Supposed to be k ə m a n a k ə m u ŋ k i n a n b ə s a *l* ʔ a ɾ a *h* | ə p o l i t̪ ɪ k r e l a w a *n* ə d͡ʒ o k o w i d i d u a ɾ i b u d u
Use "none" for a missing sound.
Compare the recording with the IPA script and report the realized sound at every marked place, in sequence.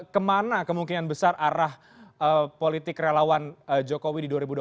r, h, n

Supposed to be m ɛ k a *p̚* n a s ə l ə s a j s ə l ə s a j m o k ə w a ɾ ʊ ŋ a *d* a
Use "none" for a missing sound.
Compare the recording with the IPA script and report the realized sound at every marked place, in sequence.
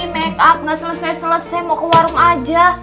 p̚, d͡ʒ

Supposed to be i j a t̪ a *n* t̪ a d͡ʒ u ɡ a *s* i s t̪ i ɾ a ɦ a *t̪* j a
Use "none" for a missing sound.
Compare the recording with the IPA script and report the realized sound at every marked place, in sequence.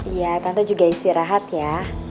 n, none, t̪

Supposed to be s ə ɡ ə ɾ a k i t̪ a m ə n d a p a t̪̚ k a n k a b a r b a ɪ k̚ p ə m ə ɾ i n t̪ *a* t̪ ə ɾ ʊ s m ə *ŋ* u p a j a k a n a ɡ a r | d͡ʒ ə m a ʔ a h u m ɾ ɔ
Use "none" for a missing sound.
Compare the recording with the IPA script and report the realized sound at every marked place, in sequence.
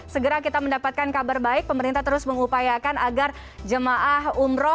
a, ŋ

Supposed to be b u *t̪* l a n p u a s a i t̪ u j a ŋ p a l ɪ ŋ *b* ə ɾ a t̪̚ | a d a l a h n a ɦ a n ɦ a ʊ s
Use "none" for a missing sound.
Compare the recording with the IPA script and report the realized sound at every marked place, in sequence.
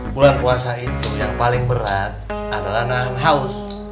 none, b

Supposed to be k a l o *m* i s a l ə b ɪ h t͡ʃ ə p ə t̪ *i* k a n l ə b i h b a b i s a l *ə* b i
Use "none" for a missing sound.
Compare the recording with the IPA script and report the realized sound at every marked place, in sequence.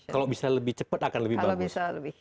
b, a, ə

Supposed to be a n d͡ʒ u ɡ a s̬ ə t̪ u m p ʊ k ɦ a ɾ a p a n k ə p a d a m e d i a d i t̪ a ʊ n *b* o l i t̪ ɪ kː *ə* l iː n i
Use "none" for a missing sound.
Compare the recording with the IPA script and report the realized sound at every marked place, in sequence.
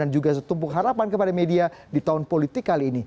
p, a

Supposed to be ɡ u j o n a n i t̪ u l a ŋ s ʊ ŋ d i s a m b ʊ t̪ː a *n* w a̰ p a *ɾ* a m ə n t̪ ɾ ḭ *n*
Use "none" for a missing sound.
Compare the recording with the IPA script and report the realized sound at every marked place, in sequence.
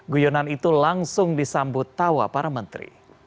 none, ɾ, none

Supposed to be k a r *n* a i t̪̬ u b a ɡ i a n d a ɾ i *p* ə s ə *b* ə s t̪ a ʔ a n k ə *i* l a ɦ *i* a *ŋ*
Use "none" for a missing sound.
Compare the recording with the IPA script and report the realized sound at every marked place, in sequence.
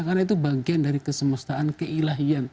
n, k, m, i, i, n

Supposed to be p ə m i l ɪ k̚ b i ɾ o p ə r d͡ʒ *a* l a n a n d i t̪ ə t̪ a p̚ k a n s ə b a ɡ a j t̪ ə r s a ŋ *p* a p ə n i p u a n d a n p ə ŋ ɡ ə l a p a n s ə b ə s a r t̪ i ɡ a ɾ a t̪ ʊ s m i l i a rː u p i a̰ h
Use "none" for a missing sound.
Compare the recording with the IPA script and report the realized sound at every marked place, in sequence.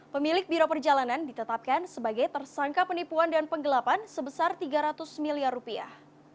a, k

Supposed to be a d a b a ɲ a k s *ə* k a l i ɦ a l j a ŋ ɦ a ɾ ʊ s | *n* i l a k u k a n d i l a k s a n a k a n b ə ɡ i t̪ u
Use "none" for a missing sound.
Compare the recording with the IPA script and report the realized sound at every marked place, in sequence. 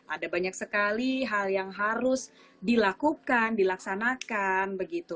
ə, d

